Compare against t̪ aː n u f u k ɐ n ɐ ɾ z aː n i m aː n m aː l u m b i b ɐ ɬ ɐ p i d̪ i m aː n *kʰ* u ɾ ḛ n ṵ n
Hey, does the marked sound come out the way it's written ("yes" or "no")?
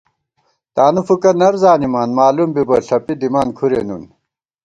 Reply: yes